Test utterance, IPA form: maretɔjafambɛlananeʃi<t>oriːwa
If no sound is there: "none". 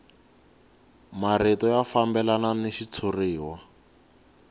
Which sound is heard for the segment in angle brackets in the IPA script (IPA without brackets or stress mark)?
t͡sʰ